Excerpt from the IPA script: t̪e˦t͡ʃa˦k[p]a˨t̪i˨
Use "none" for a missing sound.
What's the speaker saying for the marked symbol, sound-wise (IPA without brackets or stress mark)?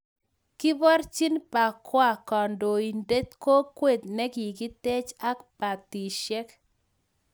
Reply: p